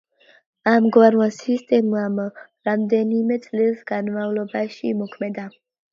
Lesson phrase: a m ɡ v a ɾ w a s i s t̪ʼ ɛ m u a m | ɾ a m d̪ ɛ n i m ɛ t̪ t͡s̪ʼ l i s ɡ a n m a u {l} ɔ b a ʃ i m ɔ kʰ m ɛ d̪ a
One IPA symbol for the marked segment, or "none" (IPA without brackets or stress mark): l